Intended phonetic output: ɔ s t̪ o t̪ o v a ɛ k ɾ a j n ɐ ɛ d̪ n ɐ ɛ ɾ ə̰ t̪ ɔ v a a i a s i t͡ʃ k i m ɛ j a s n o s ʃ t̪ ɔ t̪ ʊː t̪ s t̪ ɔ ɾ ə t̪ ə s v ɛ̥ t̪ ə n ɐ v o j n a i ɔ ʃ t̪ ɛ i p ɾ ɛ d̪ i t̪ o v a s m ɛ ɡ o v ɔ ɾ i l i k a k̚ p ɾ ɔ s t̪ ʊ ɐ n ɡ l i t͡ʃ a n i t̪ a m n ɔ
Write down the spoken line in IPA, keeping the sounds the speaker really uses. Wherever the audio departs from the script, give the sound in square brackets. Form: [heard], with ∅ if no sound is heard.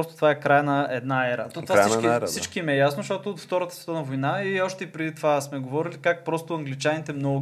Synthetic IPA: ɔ s t̪ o t̪ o v a ɛ k ɾ a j n ɐ ɛ d̪ n [a] ɛ ɾ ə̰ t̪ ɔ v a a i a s i t͡ʃ k i m ɛ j a s n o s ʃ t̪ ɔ t̪ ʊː t̪ [f] t̪ ɔ ɾ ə t̪ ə s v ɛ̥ t̪ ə n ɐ v o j n a i ɔ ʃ t̪ ɛ i p ɾ ɛ d̪ i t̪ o v a s m ɛ ɡ o v ɔ ɾ i l i k a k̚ p ɾ ɔ s t̪ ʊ ɐ [ŋ] ɡ l i t͡ʃ a n i t̪ [ɛ] m n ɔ